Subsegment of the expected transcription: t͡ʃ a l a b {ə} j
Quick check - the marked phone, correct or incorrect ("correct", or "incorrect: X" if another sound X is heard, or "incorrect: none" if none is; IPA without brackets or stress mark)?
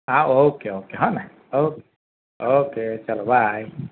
incorrect: a